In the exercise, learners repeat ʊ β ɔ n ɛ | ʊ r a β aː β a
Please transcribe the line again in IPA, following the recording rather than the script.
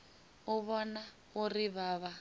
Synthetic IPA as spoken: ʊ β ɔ n a | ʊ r i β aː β a